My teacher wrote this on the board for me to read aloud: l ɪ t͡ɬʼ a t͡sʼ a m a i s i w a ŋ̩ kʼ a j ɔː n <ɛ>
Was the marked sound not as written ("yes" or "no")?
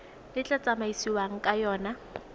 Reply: yes